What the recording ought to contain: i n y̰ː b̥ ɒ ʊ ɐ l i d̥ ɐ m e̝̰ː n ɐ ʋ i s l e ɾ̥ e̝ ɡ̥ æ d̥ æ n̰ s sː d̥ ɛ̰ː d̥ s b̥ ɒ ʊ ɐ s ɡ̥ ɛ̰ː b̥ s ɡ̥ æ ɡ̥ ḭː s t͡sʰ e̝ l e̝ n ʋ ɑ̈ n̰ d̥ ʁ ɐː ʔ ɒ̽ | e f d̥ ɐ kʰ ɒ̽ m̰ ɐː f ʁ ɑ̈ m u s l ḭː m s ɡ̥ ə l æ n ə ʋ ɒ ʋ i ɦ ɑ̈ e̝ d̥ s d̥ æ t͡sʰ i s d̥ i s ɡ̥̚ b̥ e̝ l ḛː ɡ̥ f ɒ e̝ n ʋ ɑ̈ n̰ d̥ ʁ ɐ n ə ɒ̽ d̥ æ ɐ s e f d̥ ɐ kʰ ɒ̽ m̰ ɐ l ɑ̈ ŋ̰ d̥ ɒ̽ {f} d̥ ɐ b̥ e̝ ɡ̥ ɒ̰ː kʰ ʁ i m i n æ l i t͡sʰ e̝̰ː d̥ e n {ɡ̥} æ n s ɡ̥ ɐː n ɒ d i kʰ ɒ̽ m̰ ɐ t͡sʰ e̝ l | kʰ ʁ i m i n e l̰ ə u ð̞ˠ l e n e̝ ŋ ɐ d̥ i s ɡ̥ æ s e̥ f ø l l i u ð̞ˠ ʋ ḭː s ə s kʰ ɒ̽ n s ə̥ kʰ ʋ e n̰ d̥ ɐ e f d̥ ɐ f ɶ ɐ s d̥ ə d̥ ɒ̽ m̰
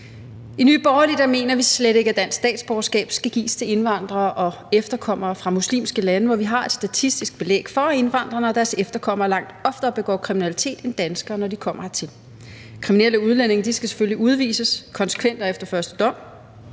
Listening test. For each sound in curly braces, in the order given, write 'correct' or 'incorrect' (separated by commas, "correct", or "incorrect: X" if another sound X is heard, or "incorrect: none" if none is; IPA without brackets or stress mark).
correct, incorrect: d̥